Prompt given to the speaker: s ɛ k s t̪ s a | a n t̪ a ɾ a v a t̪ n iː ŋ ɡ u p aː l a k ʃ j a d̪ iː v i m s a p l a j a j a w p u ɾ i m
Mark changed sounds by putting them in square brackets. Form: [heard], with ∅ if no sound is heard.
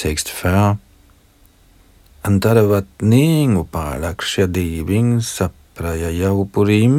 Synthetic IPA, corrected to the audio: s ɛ k s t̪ [f] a | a n t̪ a ɾ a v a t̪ n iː ŋ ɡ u p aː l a k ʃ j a d̪ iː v i [ŋ] s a p [ɾ] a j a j a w p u ɾ i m